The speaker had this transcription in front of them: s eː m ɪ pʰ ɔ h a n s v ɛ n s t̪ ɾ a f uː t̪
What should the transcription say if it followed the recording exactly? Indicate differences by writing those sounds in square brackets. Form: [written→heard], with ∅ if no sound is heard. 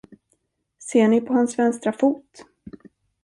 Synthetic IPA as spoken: s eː [m→ɳ] ɪ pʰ ɔ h a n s v ɛ n s t̪ ɾ a f uː t̪